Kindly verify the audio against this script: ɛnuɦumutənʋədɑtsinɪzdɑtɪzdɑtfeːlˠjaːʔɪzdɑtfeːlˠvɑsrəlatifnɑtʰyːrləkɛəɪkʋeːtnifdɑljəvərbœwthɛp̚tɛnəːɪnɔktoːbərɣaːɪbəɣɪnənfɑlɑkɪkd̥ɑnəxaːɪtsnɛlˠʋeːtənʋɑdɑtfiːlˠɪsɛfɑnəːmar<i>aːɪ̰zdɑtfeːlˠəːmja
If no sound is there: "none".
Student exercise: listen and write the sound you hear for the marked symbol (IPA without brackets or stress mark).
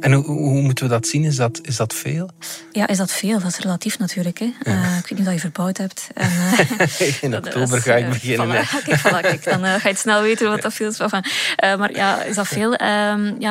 j